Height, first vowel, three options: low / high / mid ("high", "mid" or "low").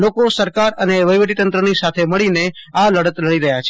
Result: mid